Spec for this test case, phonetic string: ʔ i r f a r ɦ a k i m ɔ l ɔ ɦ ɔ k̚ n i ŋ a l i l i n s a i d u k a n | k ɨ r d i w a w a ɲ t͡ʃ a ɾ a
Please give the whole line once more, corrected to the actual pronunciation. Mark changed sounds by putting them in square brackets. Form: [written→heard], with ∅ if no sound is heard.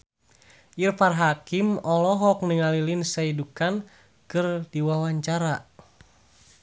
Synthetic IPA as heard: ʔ i r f a r ɦ a k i m ɔ l ɔ ɦ ɔ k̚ n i ŋ a l i l i n s a i d u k a n | k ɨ r d i w a w a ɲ t͡ʃ a ɾ a